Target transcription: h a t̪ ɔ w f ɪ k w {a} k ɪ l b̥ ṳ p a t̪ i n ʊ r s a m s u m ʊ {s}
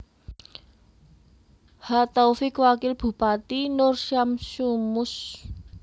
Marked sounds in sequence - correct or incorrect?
correct, correct

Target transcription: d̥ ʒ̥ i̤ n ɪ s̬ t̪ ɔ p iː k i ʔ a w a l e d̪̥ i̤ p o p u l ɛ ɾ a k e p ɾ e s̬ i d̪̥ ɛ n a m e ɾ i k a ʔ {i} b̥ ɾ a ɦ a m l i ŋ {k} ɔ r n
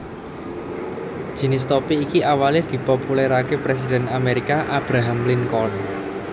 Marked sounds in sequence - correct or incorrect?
incorrect: a, correct

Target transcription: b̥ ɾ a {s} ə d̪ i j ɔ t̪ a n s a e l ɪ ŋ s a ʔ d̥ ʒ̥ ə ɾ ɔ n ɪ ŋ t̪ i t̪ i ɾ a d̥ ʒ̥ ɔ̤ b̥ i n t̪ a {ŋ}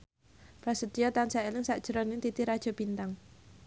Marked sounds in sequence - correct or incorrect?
correct, correct

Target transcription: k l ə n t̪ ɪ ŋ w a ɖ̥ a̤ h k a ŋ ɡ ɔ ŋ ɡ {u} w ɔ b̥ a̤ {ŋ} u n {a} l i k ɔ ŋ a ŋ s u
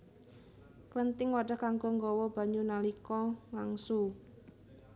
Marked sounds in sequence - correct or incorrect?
incorrect: ɔ, incorrect: ɲ, correct

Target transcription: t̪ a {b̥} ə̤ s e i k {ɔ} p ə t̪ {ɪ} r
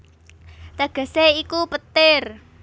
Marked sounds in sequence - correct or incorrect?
incorrect: ɡ̥, incorrect: u, correct

